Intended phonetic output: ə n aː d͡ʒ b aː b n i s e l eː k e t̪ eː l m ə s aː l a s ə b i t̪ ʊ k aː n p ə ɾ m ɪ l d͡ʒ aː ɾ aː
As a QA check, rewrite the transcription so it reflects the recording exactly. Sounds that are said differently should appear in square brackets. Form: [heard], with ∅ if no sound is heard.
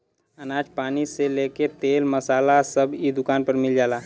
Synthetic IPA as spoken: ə n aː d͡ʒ [p] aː [∅] n i s e l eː k e t̪ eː l m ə s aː l a s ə b i [d̪] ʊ k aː n p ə ɾ m ɪ l d͡ʒ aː [l] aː